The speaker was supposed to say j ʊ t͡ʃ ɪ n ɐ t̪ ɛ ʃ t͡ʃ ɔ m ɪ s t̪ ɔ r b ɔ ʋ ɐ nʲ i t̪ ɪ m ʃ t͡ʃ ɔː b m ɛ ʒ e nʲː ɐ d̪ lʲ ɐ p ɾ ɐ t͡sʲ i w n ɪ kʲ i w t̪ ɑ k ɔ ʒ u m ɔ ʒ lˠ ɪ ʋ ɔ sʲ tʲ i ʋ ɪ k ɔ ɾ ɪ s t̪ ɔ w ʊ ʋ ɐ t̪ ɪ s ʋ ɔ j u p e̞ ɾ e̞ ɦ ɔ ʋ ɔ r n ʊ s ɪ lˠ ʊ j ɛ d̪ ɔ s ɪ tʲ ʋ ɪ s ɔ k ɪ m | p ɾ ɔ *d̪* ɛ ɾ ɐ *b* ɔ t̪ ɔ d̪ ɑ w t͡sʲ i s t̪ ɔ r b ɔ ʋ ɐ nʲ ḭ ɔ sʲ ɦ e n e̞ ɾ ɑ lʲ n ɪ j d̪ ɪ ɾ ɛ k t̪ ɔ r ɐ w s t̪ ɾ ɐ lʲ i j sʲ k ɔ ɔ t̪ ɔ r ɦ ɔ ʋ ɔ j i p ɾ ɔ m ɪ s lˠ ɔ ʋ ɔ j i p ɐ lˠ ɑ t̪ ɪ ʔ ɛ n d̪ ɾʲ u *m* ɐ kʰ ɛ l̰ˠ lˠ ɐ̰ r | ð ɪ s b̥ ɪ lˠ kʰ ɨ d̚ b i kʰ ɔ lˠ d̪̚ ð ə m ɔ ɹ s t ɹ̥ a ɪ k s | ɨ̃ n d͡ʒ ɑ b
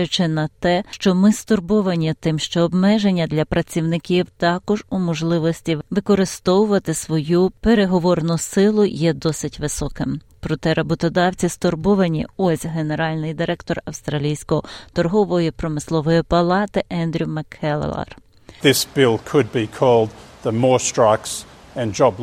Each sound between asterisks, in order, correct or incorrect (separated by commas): incorrect, correct, correct